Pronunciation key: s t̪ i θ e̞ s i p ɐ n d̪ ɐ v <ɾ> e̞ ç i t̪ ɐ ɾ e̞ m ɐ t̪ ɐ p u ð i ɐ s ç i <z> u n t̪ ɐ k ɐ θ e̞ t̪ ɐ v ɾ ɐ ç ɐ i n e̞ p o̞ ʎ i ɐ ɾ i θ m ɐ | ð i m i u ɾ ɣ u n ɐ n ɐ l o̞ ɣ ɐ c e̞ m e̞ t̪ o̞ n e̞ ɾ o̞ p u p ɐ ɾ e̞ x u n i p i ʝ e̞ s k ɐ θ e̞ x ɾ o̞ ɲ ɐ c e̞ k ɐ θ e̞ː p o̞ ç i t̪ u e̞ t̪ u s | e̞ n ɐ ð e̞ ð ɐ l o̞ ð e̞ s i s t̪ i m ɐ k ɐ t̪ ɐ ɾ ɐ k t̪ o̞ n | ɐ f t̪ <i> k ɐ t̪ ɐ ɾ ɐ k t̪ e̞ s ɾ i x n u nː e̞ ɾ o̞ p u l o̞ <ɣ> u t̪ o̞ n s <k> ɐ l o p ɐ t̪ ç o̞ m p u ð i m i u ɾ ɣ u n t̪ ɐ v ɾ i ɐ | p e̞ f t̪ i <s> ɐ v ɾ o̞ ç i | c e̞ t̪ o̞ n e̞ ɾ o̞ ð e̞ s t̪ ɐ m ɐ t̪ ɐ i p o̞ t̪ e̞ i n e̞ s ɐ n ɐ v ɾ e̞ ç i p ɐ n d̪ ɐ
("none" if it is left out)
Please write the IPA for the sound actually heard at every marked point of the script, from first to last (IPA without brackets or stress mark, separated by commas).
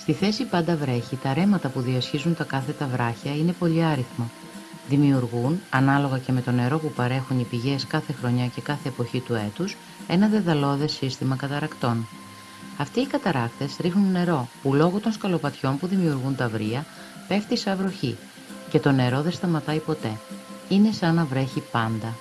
ɾ, z, iː, ɣ, k, s